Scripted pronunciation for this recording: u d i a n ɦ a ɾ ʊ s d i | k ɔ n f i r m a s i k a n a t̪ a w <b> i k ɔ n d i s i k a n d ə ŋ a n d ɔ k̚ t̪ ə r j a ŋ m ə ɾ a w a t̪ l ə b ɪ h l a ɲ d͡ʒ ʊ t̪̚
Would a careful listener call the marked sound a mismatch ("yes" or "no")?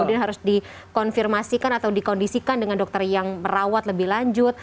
yes